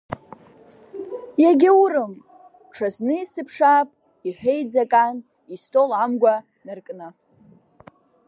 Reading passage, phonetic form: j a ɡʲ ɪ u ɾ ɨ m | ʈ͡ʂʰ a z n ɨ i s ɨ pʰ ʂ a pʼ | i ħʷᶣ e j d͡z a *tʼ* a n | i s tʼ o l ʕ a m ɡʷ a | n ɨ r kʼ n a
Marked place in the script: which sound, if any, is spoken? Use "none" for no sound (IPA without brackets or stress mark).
kʼ